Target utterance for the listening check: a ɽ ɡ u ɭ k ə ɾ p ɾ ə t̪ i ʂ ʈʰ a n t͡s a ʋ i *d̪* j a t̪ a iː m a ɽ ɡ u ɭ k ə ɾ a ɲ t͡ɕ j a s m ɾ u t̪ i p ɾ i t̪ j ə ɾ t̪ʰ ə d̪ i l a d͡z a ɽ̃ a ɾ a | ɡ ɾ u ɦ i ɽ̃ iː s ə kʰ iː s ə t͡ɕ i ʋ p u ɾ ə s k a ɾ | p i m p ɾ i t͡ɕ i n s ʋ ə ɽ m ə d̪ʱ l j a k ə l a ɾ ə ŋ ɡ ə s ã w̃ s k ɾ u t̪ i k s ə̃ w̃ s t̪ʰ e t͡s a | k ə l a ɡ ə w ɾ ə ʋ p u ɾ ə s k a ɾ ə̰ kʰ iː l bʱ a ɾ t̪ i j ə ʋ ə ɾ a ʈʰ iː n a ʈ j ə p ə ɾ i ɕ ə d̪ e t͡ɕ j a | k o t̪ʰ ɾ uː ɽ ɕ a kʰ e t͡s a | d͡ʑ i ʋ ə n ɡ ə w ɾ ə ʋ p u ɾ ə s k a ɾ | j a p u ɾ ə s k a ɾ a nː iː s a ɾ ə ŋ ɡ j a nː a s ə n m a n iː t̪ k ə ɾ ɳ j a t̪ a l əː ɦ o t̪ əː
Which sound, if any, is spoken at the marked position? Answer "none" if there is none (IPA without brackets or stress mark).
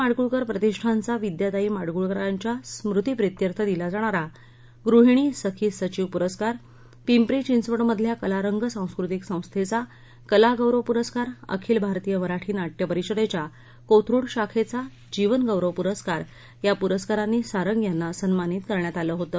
d̪